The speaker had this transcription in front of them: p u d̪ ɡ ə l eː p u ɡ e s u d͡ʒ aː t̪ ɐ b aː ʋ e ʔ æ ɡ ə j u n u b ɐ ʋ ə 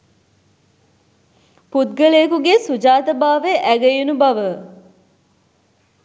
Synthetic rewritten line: p u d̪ ɡ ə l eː k u ɡ e s u d͡ʒ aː t̪ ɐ b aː ʋ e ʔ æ ɡ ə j u n u b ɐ ʋ ə